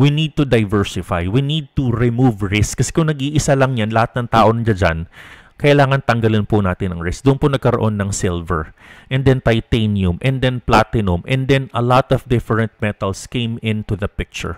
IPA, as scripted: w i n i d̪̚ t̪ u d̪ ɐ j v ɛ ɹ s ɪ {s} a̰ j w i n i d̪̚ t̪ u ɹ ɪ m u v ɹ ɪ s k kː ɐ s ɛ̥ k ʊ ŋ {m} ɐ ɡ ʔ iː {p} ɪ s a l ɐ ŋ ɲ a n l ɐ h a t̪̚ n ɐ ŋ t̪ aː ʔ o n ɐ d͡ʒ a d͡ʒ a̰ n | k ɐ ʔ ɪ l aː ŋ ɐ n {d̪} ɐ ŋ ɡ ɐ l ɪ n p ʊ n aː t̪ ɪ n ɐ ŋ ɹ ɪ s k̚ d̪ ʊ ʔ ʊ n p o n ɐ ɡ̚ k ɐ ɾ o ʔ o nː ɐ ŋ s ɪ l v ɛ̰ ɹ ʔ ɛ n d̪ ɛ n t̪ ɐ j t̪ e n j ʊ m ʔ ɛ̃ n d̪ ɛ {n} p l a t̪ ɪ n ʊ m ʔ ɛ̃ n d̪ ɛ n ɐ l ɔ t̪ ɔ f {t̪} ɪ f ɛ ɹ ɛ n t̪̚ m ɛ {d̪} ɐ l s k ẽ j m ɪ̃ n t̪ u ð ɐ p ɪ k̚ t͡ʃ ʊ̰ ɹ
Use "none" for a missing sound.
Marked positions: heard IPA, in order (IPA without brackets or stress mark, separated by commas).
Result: f, n, ʔ, t̪, n, d̪, t̪